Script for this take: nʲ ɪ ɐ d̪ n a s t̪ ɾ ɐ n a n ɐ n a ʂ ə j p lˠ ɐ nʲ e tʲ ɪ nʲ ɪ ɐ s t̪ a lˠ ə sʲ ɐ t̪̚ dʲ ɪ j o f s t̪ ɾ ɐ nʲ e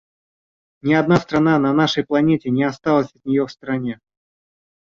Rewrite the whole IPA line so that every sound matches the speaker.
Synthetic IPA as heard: nʲ ɪ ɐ d̪ n a s t̪ ɾ ɐ n a n ɐ n a ʂ ə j p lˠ ɐ nʲ e tʲ ɪ nʲ ɪ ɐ s t̪ a lˠ ə sʲ ɐ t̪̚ nʲ ɪ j o f s t̪ ɾ ɐ nʲ e